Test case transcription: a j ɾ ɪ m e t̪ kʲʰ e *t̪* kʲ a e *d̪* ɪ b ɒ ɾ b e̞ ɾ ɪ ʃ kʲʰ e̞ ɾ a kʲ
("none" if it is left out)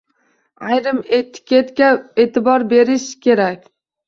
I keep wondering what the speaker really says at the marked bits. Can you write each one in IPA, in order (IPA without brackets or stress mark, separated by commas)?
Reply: t̪, t̪